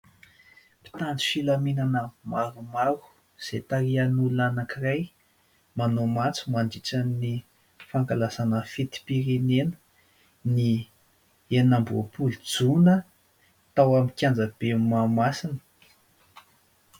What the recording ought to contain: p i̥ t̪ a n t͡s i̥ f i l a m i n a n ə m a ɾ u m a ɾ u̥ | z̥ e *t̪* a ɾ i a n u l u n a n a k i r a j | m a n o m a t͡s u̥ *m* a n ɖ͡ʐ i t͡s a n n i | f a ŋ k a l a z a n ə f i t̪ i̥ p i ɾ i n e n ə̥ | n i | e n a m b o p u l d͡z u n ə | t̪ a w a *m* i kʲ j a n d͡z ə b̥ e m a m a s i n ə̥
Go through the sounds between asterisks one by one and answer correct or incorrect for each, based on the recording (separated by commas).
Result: correct, correct, correct